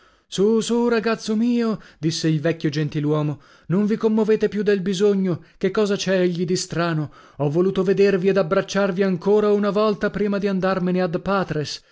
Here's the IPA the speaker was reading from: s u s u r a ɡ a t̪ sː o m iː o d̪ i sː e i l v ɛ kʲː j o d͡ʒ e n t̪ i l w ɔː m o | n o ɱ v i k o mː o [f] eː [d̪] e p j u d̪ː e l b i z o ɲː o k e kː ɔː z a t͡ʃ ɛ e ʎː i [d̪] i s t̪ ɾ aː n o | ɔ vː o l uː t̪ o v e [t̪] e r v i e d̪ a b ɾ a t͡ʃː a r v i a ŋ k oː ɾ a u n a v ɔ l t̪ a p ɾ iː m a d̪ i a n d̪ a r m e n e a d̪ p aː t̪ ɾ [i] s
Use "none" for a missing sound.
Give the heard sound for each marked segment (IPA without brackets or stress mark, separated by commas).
v, t̪, d̪, d̪, e